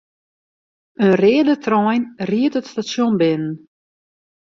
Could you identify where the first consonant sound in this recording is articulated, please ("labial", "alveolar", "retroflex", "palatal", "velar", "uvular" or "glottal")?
alveolar